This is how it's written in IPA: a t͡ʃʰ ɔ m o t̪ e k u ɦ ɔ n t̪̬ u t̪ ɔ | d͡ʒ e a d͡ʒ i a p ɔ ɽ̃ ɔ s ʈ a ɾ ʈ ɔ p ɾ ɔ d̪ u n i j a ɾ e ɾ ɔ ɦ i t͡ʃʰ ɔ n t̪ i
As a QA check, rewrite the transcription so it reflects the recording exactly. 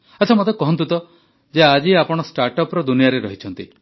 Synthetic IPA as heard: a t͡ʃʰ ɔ m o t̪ e k ɔ ɦ ɔ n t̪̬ u t̪ ɔ | d͡ʒ e a d͡ʒ i a p ɔ ɽ̃ ɔ s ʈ a ɾ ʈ ɔ p ɾ ɔ d̪ u n i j a ɾ e ɾ ɔ ɦ i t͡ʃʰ ɔ n t̪ i